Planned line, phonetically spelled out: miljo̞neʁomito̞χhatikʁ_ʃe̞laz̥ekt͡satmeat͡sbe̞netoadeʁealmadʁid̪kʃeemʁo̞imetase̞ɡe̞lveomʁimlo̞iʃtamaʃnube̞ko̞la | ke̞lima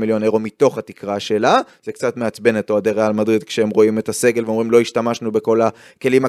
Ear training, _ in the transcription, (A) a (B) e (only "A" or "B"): A